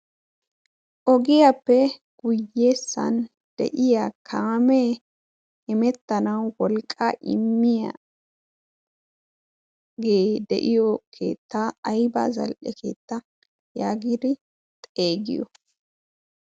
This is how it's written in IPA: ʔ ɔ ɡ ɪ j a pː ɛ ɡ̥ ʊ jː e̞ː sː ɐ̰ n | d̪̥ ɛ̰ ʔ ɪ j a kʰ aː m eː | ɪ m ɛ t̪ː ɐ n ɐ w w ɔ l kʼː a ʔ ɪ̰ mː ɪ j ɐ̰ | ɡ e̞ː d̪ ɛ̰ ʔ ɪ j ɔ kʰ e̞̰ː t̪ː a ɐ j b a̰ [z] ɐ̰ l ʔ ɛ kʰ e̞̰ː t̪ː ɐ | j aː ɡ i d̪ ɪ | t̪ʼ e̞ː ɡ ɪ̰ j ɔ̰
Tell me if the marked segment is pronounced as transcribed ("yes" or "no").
yes